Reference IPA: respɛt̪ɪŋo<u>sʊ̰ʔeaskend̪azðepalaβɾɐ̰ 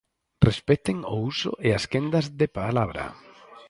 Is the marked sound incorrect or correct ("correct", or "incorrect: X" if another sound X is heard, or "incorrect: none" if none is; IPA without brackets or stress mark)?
correct